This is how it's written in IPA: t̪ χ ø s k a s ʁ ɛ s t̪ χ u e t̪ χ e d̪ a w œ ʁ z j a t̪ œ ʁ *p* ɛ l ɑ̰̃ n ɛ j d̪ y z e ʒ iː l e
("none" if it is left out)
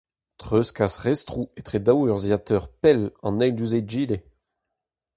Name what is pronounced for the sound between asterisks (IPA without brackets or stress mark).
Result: p